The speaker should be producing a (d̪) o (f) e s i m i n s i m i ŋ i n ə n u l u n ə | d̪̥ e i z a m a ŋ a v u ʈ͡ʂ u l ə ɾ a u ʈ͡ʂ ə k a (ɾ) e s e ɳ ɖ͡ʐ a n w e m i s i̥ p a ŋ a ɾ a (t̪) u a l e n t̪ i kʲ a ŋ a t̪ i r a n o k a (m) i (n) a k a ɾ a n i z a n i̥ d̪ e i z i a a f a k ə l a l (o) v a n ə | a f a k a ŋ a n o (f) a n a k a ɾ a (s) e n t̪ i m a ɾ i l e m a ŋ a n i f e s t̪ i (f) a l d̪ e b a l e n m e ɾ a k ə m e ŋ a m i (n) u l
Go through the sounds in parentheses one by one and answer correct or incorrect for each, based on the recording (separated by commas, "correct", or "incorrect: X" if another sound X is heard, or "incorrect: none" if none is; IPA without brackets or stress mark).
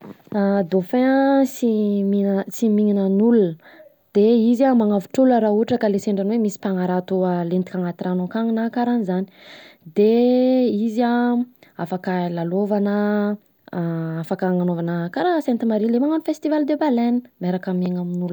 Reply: correct, correct, incorrect: l, correct, incorrect: ŋ, correct, correct, incorrect: v, correct, incorrect: v, correct